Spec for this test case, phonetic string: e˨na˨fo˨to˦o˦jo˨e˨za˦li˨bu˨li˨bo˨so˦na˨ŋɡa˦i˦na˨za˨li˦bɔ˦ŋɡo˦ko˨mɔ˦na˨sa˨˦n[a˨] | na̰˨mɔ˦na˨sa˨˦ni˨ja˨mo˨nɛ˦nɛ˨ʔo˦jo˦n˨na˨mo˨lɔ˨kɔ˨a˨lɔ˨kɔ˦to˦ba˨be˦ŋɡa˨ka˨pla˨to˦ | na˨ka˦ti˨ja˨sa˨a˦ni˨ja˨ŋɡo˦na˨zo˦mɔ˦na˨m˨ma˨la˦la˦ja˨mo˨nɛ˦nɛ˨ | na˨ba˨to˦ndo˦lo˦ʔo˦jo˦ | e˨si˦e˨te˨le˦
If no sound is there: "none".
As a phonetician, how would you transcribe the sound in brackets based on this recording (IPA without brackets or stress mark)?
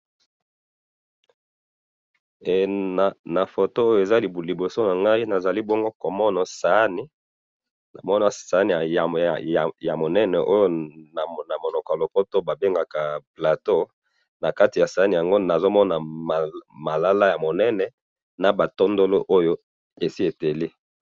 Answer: i˨